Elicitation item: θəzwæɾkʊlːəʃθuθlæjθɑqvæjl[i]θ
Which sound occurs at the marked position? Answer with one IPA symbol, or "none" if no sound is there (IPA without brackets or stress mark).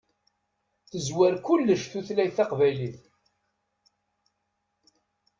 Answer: i